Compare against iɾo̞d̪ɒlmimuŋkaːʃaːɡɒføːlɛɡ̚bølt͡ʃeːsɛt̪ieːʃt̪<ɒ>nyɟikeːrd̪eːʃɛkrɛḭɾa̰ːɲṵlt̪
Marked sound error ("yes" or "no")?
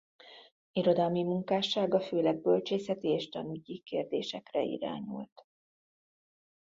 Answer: no